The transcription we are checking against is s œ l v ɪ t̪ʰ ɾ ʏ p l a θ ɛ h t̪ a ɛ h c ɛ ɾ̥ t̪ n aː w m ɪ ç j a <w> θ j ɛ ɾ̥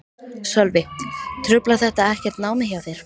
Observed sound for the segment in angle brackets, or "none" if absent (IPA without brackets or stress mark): w